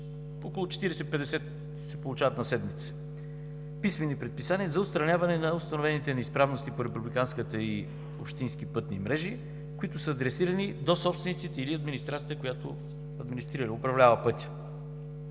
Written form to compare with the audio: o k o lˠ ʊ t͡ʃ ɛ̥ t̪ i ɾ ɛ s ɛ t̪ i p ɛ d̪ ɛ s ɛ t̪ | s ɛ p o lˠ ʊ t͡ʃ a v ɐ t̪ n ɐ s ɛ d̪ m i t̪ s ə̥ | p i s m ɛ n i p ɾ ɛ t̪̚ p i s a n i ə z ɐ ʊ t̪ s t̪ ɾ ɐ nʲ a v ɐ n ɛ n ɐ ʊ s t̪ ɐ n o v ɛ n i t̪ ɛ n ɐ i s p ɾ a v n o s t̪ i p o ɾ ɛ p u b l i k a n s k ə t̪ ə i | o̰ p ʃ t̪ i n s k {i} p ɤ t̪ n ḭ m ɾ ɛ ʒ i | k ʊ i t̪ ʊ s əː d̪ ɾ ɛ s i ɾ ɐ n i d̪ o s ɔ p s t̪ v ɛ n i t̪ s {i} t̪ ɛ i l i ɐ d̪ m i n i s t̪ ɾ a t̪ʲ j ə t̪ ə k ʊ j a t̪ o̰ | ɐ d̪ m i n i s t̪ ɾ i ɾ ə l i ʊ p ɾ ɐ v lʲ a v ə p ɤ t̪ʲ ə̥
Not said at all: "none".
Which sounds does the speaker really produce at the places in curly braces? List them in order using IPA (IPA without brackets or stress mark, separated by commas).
i, i